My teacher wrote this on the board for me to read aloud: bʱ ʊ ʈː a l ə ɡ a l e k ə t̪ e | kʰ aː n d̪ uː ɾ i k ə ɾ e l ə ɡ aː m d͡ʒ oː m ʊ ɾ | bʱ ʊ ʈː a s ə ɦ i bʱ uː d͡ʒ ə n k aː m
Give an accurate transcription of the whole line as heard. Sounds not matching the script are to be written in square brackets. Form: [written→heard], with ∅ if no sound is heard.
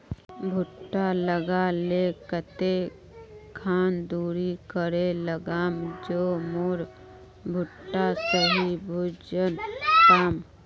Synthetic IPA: bʱ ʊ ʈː a l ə ɡ a l e k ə t̪ e | kʰ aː n d̪ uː ɾ i k ə ɾ e l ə ɡ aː m d͡ʒ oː m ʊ ɾ | bʱ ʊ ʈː a s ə ɦ i bʱ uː d͡ʒ ə n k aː m